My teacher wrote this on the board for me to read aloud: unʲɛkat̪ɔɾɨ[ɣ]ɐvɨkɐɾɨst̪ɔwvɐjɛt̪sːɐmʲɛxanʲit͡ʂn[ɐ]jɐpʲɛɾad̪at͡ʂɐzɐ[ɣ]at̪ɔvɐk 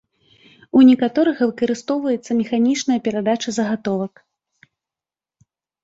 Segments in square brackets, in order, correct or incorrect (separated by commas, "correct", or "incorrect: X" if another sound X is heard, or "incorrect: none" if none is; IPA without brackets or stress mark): correct, correct, correct